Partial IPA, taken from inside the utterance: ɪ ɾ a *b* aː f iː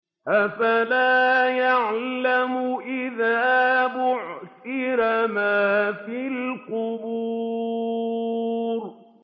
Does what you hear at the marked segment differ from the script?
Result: yes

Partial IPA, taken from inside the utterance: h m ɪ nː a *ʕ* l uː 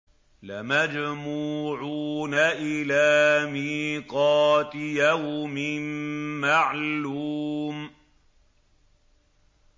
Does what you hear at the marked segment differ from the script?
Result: no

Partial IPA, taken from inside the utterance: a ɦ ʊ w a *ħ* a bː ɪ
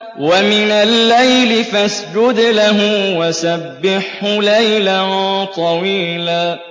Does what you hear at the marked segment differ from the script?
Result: yes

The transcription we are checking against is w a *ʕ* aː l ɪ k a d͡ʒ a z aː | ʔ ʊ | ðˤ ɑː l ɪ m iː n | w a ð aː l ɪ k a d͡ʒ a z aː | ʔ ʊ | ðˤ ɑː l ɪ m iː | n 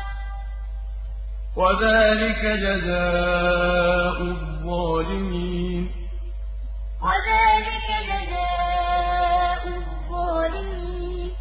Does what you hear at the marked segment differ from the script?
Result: yes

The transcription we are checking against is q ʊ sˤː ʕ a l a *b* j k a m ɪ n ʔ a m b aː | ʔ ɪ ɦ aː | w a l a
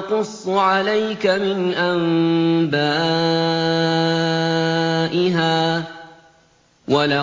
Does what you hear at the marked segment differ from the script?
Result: yes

